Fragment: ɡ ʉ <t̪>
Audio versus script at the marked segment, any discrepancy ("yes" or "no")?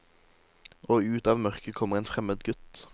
no